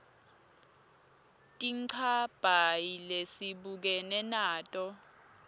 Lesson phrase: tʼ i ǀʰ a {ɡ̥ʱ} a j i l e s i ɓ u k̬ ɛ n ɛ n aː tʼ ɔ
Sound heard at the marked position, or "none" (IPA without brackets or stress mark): b̥ʱ